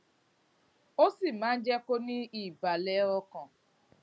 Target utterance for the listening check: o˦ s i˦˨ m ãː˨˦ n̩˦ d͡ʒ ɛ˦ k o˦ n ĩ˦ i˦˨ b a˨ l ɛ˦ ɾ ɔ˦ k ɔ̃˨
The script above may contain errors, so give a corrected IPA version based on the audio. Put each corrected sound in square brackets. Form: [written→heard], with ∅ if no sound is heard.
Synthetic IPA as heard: o˦ s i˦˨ m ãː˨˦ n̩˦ d͡ʒ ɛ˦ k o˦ n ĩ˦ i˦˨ b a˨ l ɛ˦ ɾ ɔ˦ k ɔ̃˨